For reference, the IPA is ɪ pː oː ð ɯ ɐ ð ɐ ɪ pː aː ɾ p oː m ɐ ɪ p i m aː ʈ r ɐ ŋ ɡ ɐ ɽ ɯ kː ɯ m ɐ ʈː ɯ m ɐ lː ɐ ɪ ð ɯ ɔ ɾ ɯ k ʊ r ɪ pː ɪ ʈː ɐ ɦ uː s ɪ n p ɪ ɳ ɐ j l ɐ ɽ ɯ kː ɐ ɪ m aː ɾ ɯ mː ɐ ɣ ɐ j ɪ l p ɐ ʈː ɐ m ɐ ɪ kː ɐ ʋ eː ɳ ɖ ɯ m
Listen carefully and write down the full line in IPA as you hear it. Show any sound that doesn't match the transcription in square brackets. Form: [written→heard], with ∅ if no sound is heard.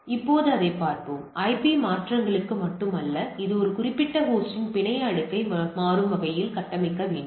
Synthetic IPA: ɪ pː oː ð ɯ ɐ ð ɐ ɪ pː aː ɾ p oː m ɐ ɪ p i m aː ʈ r ɐ ŋ ɡ ɐ [ɽ→ɭ] ɯ kː ɯ m ɐ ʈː ɯ m ɐ lː ɐ ɪ ð ɯ ɔ ɾ ɯ k ʊ r ɪ pː ɪ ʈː ɐ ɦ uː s ɪ n p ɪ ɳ ɐ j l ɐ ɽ ɯ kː ɐ ɪ m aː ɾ ɯ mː ɐ ɣ ɐ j ɪ l [p→k] ɐ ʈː ɐ m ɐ ɪ kː ɐ ʋ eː ɳ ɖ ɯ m